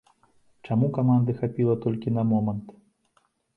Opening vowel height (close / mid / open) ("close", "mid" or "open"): open